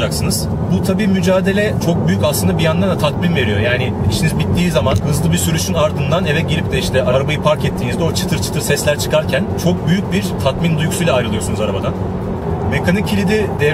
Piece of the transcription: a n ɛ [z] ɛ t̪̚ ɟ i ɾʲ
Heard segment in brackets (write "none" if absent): v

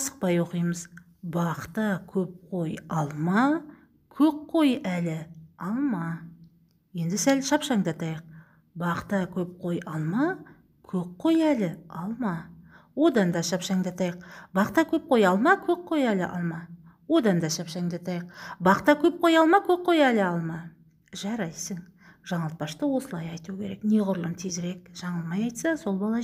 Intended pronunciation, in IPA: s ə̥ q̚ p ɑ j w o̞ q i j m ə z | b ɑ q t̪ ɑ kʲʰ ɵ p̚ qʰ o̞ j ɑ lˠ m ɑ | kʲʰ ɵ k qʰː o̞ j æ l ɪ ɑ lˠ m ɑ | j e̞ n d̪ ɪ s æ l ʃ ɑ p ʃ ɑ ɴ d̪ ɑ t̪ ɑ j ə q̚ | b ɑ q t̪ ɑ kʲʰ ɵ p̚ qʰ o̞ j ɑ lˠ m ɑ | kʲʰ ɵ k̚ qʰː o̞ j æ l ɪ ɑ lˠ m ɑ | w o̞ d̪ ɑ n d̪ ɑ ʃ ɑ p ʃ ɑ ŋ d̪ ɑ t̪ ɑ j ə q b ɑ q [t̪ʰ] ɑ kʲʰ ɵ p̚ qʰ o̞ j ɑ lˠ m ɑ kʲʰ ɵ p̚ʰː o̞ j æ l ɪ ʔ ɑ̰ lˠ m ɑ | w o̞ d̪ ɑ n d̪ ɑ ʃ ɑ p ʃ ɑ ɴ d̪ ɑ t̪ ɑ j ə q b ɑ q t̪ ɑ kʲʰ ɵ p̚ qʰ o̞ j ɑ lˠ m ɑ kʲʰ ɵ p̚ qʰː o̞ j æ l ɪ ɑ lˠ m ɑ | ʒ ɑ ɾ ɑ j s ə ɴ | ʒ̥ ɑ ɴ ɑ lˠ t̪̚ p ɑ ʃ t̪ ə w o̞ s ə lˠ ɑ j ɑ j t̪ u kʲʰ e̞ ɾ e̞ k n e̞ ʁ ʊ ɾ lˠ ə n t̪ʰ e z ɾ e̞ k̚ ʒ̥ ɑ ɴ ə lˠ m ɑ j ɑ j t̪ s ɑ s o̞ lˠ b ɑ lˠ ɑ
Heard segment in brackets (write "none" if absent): t̪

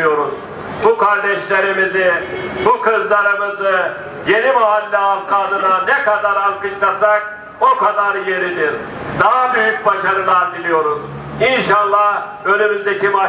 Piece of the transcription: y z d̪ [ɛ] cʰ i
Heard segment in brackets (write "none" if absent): e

